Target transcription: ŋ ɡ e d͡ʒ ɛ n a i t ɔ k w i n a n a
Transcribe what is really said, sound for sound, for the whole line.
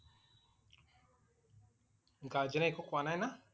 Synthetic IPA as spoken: ŋ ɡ a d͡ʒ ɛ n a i k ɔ k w a n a n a